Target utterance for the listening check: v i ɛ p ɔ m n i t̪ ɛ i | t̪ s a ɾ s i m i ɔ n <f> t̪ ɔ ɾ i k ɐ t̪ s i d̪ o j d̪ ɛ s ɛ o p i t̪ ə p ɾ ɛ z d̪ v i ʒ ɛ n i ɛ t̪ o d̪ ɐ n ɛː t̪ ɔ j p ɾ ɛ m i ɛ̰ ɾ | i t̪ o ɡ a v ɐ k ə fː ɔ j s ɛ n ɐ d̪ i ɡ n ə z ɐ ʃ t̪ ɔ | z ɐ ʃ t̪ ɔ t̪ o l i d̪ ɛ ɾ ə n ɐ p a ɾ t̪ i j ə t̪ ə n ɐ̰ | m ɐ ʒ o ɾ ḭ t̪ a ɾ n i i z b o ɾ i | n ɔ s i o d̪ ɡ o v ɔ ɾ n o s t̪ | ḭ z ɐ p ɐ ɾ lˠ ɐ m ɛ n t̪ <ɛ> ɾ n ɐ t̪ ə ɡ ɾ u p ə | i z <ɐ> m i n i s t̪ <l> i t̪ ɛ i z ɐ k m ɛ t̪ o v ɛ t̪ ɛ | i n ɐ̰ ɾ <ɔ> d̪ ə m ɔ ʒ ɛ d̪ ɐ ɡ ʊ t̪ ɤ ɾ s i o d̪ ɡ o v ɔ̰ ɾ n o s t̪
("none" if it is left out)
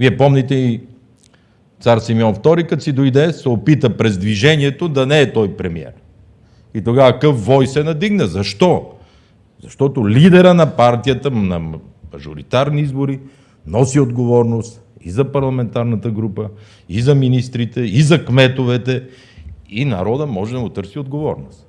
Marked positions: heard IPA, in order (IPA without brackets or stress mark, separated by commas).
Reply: f, a, ɐ, ɾ, ɔ